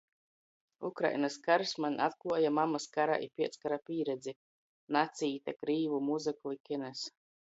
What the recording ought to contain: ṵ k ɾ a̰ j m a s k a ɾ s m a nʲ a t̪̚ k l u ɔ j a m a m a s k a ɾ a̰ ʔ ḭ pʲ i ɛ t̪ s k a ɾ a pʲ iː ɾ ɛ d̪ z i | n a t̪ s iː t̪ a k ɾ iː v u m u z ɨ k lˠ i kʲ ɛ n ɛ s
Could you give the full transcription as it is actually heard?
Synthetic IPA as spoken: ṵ k ɾ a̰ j n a s k a ɾ s m a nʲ a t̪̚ k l u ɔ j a m a m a s k a ɾ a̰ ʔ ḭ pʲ i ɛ t̪ s k a ɾ a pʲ iː ɾ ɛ d̪ z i | n a t̪ s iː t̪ a k ɾ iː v u m u z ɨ k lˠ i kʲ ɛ n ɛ s